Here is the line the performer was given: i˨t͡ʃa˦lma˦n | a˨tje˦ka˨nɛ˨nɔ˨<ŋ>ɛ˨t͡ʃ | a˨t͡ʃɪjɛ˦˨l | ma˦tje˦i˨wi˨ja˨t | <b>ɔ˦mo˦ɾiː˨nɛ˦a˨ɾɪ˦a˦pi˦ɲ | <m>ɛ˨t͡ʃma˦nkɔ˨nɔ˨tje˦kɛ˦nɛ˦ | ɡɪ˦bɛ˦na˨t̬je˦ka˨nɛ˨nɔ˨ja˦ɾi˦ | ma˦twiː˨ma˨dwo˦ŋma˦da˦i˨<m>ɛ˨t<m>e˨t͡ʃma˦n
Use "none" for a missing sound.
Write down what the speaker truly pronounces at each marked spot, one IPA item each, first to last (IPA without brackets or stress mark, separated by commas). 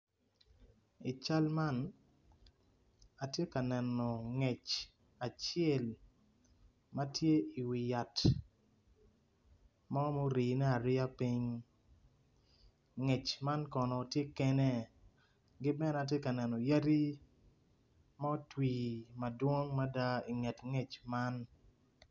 ŋ, m, ŋ, ŋ, ŋ